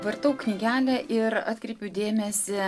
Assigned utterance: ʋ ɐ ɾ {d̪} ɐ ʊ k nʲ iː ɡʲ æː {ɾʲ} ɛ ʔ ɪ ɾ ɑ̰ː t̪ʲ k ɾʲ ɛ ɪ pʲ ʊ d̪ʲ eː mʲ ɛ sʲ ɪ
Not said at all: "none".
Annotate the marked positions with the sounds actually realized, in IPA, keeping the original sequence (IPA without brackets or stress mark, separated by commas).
t̪, lʲ